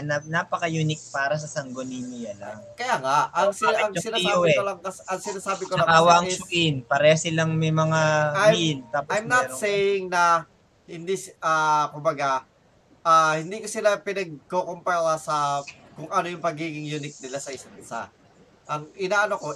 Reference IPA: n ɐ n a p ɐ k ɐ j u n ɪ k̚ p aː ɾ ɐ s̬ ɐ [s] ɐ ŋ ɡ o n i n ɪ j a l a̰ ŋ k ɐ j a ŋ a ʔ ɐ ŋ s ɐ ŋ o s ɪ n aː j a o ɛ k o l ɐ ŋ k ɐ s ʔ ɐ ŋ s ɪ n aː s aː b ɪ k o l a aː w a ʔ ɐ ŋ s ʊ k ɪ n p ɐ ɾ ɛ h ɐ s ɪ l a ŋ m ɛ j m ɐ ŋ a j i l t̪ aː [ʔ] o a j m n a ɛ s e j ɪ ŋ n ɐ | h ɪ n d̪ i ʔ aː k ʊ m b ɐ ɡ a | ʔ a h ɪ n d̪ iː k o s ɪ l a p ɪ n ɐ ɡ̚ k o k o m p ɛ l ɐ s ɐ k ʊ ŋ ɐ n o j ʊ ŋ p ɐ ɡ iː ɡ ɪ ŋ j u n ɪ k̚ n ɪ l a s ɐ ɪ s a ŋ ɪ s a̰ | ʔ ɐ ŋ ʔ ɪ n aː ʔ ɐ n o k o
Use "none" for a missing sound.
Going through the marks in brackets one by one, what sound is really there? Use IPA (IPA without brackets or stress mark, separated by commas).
s, p